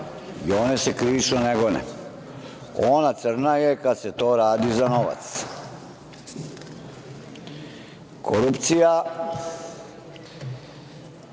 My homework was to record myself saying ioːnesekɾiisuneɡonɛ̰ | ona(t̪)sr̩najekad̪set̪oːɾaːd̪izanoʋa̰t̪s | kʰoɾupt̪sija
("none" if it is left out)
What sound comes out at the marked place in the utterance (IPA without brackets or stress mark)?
t̪